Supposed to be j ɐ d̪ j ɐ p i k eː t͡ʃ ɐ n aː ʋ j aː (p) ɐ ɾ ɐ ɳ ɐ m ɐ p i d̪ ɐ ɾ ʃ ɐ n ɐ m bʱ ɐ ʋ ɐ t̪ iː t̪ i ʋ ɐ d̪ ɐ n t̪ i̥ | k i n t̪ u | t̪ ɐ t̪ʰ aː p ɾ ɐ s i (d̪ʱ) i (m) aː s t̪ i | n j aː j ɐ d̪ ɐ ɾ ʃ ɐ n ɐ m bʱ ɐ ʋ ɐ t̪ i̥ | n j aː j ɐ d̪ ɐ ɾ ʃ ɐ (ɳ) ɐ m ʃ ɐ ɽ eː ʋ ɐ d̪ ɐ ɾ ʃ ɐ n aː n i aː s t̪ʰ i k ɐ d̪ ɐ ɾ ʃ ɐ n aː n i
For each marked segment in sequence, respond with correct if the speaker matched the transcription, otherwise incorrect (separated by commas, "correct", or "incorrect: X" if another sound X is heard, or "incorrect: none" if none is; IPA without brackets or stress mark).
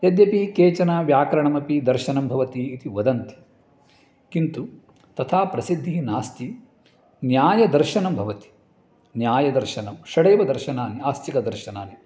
incorrect: k, incorrect: d̪ʱː, incorrect: n, incorrect: n